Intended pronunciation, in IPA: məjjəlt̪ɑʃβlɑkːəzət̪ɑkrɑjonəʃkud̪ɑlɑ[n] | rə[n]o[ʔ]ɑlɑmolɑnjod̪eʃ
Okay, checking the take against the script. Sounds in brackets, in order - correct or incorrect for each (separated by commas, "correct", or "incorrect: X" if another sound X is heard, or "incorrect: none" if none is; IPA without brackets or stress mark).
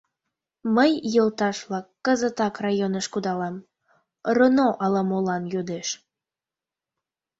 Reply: incorrect: m, correct, correct